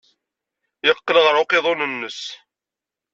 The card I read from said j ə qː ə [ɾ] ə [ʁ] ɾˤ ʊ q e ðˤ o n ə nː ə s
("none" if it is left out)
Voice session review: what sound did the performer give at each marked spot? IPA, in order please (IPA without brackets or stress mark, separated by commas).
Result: l, ʁ